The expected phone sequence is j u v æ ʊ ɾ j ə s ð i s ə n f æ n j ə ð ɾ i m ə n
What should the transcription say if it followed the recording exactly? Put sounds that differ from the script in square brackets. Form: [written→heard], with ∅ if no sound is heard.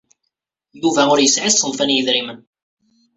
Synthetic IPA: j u v æ ʊ ɾ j ə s [ð→ʕ] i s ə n f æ n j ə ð ɾ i m ə n

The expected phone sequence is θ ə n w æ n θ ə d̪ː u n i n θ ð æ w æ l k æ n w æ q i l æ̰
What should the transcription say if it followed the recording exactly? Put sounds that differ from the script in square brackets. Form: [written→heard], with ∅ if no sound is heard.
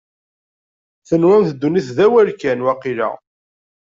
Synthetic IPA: θ ə n w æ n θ ə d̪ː u n i [n→∅] θ ð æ w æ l k æ n w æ q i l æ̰

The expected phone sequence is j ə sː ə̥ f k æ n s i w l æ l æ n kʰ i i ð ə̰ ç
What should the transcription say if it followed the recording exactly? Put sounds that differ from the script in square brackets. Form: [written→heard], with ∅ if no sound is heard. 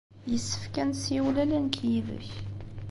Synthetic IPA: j ə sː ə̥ f k æ n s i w l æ l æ n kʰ [i→j] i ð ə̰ ç

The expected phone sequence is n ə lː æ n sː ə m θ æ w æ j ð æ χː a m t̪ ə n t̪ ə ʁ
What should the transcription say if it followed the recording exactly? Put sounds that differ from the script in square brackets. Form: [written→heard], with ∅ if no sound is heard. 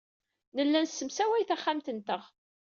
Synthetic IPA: n ə lː æ n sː ə m [θ→s] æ w æ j [ð→θ] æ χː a m t̪ ə n t̪ ə ʁ

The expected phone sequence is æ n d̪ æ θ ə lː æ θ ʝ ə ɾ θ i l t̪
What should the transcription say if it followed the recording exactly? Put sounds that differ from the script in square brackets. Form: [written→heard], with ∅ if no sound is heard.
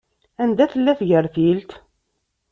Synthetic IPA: æ n d̪ æ θ ə lː æ θ ʝ ə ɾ θ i l t̪

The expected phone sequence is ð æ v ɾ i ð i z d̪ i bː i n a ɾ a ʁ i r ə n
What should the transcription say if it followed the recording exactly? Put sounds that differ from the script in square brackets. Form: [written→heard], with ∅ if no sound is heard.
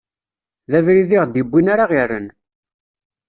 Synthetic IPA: ð æ v ɾ i ð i [z→ʁ] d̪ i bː i n a ɾ a ʁ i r ə n

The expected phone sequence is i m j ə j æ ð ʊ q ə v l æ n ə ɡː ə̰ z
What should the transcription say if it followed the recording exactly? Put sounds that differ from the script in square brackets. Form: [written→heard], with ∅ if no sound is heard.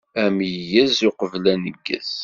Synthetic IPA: [i→æ] m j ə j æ [ð→z] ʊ q ə v l æ n ə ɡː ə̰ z

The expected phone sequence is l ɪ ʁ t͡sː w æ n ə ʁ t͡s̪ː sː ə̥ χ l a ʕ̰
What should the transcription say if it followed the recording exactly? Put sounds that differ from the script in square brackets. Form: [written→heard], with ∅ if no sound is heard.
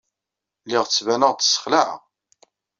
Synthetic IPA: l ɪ ʁ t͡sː [w→v] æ n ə ʁ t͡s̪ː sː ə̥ χ l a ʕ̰

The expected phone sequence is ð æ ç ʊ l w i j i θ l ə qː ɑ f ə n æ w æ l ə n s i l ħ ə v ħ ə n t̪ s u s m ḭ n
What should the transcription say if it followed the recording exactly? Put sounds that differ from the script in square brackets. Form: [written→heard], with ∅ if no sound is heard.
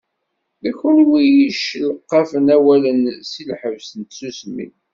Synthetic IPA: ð æ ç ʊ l w i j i [θ→ʃ] l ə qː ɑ f ə n æ w æ l ə n s i l ħ ə v [ħ→s] ə n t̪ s u s m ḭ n

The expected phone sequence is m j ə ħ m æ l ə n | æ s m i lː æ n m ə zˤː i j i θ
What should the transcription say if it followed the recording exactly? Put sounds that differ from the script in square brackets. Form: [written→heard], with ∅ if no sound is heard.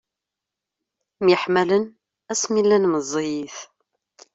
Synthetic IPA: m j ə ħ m æ l ə n | æ s m i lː æ n m ə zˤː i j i θ

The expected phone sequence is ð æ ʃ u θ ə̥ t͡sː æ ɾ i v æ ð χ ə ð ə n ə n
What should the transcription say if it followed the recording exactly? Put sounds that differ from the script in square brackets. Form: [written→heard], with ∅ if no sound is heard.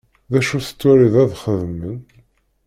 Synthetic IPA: ð æ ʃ u θ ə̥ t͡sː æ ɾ i [v→ð] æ ð χ ə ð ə [n→m] ə n

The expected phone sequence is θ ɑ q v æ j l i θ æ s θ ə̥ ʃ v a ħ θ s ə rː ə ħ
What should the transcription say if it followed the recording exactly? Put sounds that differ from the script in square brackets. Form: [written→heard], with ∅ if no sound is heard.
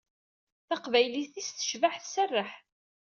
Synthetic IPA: θ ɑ q v æ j l i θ [æ→i] s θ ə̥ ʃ v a ħ θ s ə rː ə ħ

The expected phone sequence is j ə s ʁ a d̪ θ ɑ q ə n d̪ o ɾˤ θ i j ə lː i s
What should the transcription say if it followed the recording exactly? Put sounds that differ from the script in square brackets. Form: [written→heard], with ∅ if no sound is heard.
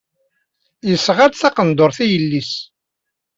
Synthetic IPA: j ə s ʁ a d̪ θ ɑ q ə n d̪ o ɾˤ θ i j ə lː i s

